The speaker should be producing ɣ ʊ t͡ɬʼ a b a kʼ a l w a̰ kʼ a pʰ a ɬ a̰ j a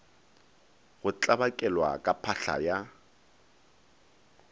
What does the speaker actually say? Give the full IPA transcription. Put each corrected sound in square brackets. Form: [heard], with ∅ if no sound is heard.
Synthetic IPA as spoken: ɣ ʊ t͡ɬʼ a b a kʼ [ɛ] l w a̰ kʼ a pʰ a ɬ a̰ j a